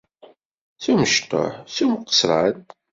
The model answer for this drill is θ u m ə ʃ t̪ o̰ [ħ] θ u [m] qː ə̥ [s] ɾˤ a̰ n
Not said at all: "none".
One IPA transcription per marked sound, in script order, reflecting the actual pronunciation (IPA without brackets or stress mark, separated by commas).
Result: ħ, m, s